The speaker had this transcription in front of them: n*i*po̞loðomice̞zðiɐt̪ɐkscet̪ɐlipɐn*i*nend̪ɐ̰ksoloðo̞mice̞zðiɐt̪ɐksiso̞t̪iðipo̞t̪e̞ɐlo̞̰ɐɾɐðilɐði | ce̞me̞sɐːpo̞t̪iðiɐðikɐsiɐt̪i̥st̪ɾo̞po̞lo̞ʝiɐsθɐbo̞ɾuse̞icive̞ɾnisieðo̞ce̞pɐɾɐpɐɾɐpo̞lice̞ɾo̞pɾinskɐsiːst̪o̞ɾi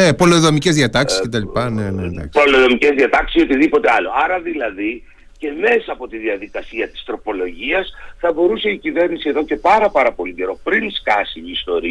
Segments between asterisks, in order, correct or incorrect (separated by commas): incorrect, incorrect